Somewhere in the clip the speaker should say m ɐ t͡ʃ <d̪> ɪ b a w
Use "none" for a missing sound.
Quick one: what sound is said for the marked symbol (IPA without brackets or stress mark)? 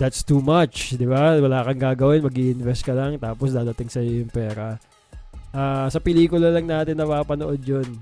d̪